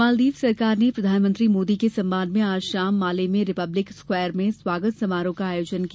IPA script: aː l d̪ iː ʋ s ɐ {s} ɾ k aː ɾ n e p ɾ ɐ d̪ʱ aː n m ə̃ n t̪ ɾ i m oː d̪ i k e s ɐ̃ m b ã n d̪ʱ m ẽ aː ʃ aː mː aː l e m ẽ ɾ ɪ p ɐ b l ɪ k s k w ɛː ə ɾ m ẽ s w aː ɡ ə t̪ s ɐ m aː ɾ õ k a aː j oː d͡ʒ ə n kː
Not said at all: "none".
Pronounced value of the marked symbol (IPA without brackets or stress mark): none